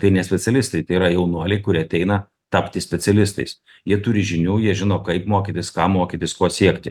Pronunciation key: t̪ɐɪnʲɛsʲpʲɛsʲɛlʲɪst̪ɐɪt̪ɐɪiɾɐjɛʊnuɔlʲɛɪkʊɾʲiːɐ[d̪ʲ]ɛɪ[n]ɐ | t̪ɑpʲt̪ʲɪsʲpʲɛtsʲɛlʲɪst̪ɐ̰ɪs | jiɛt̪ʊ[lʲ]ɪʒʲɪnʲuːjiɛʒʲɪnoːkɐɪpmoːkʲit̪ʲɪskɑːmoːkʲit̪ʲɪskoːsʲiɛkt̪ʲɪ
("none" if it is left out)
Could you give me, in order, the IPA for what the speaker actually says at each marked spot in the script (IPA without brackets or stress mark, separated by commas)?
t̪ʲ, n, ɾʲ